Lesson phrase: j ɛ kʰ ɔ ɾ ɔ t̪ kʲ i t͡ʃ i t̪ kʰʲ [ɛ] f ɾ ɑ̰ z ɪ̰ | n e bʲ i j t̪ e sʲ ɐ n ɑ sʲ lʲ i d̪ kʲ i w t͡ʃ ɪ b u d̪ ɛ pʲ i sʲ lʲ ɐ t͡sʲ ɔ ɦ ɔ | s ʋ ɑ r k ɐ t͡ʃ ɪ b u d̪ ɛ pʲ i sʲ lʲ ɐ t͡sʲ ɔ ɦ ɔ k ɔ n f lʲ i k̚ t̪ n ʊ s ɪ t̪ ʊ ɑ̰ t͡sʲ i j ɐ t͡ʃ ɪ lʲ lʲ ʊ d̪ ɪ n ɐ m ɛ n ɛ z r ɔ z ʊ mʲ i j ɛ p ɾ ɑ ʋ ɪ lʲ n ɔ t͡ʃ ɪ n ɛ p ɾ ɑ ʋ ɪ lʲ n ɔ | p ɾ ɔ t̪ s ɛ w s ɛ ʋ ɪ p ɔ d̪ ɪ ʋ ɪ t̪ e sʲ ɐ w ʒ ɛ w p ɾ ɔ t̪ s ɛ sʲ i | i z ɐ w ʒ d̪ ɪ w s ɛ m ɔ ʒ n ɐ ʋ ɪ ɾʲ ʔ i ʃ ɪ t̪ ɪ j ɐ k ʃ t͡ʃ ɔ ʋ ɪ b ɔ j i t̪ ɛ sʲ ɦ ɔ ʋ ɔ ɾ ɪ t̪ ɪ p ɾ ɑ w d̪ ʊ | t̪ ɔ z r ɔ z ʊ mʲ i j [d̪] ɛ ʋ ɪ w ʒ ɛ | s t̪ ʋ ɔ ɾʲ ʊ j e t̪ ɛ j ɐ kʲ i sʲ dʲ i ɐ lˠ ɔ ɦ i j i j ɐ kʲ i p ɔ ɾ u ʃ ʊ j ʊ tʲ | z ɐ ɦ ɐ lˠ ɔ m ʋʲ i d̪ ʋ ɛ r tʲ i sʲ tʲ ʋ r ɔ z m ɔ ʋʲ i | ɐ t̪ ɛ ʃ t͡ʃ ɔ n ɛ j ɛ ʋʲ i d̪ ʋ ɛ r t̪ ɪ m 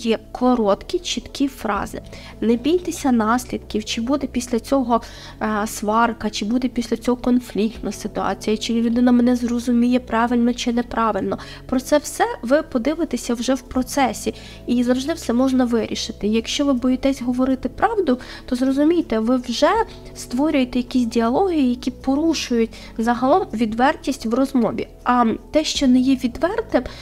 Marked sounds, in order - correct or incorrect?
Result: incorrect: i, incorrect: t̪

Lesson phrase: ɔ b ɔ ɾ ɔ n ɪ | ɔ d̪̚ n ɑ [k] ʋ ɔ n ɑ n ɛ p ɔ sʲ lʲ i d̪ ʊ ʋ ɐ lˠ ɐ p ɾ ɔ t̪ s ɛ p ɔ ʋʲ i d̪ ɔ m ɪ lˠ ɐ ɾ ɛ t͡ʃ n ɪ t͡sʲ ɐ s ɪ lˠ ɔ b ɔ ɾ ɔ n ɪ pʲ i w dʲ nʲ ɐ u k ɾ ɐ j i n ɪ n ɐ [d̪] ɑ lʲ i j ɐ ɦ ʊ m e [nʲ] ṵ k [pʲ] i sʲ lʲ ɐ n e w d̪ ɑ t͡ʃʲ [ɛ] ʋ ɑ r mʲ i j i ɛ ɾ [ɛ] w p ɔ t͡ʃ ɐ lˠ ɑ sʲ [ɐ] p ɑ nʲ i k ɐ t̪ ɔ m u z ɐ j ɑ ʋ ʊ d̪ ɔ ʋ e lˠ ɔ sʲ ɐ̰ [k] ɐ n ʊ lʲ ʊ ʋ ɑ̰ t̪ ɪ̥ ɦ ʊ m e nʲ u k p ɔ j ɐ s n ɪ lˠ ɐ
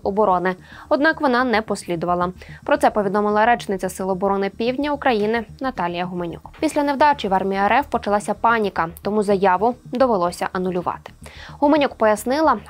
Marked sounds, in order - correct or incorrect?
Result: correct, incorrect: t̪, correct, correct, incorrect: i, correct, correct, incorrect: ʔ

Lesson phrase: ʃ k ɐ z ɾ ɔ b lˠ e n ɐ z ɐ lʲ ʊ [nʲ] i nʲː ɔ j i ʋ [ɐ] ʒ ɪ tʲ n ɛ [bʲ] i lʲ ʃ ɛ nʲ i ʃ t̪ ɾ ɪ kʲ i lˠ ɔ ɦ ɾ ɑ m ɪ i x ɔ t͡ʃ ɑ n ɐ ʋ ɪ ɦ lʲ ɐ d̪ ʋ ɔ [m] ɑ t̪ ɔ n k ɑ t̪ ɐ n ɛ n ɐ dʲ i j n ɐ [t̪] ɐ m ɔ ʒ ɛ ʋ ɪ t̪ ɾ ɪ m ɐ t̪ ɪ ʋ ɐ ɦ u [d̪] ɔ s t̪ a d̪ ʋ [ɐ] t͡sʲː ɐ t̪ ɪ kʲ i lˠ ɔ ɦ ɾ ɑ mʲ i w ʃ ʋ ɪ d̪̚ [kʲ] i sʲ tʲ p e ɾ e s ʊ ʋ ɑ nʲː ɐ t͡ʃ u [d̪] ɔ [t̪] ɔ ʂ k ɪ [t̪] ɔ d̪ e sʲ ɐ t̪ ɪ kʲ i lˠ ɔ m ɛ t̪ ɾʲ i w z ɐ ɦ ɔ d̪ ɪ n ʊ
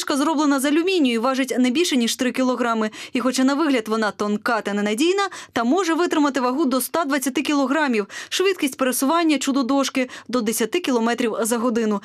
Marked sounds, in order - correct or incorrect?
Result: incorrect: mʲ, incorrect: ɑ, correct, incorrect: n, correct, correct, correct, correct, correct, incorrect: d̪, incorrect: d̪

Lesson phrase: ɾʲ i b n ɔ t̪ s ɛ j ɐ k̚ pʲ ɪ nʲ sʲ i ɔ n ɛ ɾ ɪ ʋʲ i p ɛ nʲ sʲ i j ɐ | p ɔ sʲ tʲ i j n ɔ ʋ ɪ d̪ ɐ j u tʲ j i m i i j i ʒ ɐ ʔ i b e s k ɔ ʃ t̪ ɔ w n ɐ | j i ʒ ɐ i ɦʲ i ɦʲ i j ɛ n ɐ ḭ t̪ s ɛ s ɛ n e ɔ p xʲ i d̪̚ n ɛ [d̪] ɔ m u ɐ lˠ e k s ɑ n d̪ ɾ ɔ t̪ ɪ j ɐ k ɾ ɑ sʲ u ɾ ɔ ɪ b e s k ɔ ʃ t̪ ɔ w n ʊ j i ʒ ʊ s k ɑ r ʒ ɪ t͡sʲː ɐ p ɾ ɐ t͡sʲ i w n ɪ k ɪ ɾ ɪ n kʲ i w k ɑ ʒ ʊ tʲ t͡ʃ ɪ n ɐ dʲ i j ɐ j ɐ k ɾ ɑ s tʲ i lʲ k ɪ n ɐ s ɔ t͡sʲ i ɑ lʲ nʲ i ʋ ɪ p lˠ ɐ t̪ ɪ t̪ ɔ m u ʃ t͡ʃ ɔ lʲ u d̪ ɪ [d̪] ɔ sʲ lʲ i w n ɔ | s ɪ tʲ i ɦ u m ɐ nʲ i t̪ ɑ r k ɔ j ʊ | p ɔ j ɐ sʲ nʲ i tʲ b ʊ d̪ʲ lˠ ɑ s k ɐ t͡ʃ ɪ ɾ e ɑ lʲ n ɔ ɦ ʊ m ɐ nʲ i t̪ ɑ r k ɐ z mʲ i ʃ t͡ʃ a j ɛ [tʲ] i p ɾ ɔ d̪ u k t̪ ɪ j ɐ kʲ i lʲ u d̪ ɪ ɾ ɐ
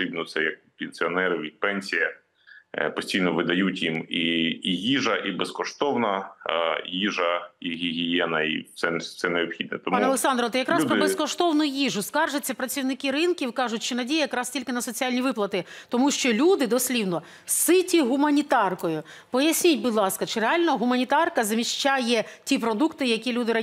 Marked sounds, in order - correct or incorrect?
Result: incorrect: t̪, correct, correct

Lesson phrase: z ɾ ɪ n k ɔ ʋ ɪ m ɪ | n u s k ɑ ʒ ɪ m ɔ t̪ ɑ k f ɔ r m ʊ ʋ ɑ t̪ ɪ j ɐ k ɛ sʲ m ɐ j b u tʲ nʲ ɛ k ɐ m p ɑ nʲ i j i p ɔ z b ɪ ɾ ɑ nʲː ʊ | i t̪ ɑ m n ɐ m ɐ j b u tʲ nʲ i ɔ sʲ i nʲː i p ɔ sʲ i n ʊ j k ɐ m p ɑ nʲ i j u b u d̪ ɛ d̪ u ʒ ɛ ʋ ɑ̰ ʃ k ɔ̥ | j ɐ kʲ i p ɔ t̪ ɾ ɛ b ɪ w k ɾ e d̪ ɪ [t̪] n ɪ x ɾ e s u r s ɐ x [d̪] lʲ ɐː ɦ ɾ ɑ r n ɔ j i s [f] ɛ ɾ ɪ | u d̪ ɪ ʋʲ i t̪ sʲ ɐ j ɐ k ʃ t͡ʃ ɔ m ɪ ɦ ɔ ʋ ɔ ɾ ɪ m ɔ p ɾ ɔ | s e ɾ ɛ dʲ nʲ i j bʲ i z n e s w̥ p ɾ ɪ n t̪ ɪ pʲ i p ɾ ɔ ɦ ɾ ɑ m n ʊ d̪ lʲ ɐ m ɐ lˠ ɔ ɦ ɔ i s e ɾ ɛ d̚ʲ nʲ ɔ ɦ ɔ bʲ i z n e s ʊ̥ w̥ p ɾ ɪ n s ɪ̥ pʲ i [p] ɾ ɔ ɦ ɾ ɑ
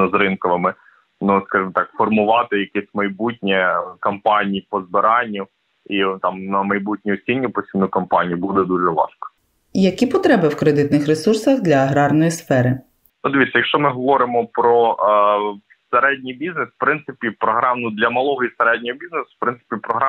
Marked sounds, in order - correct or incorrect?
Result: correct, correct, correct, correct

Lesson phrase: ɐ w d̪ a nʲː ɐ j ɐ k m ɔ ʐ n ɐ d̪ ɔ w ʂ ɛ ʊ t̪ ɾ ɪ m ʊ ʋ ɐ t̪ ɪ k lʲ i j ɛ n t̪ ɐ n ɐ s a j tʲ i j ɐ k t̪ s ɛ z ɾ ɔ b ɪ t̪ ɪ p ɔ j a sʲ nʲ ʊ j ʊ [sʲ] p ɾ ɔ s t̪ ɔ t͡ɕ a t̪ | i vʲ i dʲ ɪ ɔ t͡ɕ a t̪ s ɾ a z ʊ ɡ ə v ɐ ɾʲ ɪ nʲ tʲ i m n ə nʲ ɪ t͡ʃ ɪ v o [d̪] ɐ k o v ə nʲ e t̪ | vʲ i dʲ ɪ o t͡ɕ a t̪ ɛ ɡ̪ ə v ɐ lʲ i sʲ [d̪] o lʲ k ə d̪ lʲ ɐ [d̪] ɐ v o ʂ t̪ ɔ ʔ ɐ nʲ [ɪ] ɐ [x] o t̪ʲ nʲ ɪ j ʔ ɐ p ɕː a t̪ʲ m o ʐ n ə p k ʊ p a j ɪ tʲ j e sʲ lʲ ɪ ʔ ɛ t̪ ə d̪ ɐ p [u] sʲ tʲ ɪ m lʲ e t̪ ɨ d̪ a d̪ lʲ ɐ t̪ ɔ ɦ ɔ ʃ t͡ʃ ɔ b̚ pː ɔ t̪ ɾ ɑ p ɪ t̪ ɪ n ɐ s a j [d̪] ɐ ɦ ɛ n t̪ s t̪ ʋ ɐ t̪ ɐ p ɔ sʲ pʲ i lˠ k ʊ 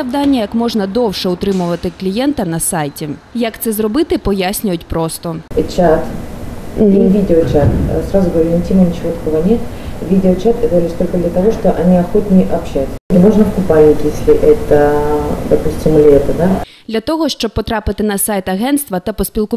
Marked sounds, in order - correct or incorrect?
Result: incorrect: tʲ, incorrect: t̪, incorrect: t̪, incorrect: t̪, incorrect: i, correct, correct, incorrect: t̪

